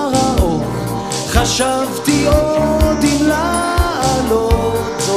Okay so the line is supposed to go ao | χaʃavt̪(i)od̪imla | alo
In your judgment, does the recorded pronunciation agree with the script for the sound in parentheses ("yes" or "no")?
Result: yes